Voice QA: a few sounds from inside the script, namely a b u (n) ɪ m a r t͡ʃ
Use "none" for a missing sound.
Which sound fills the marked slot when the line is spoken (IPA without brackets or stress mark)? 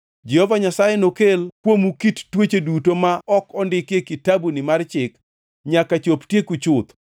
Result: n